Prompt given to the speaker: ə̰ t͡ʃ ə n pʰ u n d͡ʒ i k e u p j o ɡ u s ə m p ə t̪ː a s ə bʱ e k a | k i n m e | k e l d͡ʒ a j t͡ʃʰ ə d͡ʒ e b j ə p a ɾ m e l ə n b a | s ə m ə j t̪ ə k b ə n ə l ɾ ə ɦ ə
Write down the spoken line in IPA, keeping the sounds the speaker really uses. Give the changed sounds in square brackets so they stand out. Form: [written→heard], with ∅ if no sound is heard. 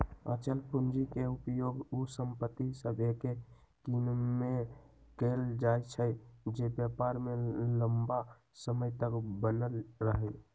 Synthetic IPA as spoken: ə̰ t͡ʃ ə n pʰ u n d͡ʒ i k e u p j o ɡ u s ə m p ə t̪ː [a→i] s ə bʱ e k [a→e] | k i n m e | k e l d͡ʒ a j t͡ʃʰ ə d͡ʒ e b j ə p a ɾ m e l ə [n→m] b a | s ə m ə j t̪ ə k b ə n ə l ɾ ə ɦ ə